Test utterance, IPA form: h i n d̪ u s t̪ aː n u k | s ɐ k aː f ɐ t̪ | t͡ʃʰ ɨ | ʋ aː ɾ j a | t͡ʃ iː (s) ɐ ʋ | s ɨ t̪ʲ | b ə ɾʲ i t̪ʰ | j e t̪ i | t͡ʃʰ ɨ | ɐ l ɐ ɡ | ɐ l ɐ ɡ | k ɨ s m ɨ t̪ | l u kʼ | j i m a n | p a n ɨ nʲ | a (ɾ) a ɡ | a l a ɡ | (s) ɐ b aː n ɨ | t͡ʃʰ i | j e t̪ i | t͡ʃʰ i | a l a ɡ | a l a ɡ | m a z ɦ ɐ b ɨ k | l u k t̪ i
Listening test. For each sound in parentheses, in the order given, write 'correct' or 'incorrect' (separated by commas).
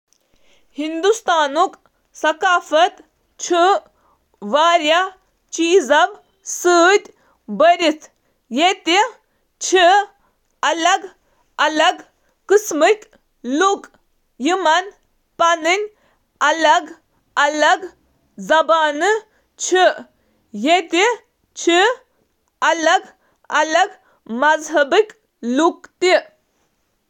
incorrect, incorrect, incorrect